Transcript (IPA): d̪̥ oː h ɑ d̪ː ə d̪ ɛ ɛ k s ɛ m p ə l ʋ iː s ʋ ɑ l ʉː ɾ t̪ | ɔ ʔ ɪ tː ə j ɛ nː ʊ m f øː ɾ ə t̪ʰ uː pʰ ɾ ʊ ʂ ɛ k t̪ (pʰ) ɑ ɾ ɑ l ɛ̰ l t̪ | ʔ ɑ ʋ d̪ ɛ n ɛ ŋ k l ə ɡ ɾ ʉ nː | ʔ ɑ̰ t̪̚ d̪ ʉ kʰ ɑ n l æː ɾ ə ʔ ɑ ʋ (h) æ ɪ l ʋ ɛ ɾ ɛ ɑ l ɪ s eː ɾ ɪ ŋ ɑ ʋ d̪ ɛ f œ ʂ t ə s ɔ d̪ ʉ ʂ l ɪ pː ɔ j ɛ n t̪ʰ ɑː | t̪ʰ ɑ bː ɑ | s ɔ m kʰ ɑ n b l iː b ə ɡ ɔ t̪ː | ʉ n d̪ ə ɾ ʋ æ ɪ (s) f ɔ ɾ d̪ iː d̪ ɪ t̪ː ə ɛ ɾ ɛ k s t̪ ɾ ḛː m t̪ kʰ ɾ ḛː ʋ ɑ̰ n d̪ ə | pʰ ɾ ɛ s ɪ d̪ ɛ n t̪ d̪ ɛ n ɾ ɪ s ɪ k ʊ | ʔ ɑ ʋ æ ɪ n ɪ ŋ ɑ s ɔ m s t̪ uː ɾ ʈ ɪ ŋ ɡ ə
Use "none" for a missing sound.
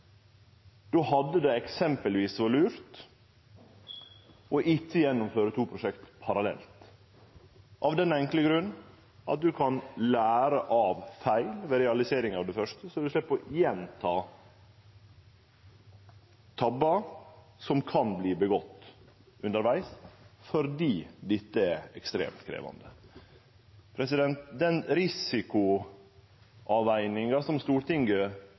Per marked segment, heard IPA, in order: pʰ, f, s

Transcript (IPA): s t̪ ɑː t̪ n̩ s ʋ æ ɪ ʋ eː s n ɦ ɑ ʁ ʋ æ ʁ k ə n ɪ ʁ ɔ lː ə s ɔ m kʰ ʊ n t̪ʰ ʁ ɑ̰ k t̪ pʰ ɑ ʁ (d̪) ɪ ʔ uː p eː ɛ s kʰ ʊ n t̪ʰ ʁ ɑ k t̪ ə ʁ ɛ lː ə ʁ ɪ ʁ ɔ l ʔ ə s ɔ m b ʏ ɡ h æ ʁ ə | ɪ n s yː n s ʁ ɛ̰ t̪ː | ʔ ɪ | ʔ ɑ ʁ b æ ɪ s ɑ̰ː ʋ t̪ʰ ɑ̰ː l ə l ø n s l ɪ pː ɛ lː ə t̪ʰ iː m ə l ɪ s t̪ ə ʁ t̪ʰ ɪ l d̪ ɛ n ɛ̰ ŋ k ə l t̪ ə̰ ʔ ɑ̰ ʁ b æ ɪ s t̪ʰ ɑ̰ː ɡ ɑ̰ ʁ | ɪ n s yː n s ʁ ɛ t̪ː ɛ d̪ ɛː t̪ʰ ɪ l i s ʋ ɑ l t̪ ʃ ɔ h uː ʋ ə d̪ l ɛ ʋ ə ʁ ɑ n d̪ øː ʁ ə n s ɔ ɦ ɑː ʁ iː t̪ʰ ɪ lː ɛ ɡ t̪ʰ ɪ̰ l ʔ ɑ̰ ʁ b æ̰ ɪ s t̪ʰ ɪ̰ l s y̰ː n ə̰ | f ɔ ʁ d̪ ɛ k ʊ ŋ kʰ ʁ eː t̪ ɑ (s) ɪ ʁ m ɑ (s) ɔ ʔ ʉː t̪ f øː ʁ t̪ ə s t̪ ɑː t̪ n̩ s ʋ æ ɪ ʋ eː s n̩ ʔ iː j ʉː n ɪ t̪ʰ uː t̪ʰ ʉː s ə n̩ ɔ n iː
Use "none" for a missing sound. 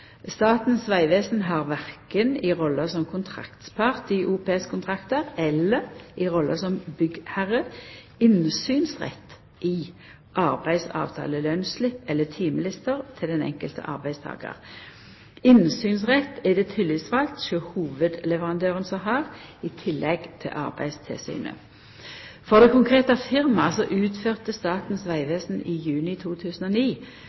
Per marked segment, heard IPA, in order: t̪, f, s

